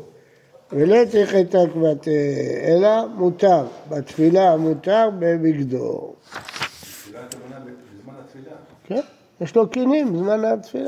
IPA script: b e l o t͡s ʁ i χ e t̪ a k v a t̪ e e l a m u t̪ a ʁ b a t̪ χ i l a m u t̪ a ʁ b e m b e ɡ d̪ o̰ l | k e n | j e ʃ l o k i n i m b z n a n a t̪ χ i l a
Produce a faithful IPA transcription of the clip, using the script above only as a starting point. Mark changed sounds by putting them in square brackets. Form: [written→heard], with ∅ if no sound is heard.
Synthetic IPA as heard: [b→v] e l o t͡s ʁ i χ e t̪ a k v a t̪ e e l a m u t̪ a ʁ b a t̪ [χ→f] i l a m u t̪ a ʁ b e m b [e→i] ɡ d̪ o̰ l | k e n | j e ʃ l o k i n i m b z [n→m] a n a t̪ [χ→f] i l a